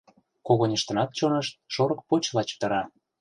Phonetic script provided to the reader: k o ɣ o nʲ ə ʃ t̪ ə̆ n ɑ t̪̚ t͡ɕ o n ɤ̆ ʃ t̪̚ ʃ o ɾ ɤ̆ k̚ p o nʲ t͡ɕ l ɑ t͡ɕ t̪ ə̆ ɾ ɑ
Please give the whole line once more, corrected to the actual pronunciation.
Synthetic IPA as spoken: k o ɣ o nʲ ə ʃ t̪ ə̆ n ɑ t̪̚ t͡ɕ o n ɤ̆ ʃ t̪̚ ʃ o ɾ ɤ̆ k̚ p o t͡ɕ l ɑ t͡ɕ t̪ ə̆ ɾ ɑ